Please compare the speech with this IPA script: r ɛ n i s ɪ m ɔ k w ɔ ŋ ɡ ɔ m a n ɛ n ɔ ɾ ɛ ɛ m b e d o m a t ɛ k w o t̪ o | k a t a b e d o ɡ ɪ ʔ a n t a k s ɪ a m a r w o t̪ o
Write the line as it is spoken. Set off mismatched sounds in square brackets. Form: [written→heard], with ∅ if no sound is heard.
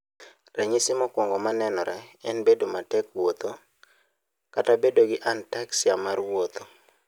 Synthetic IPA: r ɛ [n→ɲ] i s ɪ m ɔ k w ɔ ŋ ɡ ɔ m a n ɛ n ɔ ɾ ɛ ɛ [m→n] b e d o m a t ɛ k w o t̪ o | k a t a b e d o ɡ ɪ ʔ a n t a k s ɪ a m a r w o t̪ o